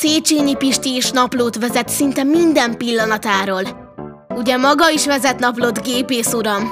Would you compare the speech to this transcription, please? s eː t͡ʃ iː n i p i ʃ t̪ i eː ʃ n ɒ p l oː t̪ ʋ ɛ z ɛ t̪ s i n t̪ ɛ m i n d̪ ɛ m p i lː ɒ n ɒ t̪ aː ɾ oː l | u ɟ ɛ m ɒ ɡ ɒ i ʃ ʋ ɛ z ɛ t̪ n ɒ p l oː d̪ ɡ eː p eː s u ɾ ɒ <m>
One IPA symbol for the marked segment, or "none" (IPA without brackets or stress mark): m